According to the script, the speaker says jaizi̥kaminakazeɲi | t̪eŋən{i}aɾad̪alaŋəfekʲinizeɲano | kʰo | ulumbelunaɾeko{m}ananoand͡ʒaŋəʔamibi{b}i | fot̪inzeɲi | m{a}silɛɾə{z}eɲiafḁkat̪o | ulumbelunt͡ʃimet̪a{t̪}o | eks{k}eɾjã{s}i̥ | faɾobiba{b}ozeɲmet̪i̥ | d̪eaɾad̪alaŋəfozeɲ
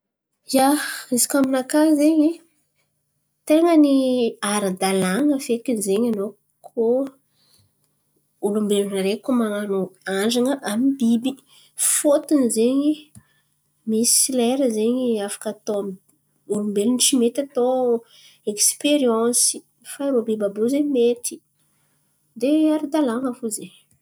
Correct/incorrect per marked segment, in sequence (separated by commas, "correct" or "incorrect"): correct, correct, correct, incorrect, correct, correct, incorrect, correct, correct